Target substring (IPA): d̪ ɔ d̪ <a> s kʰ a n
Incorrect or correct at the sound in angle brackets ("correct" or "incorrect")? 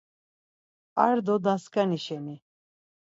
correct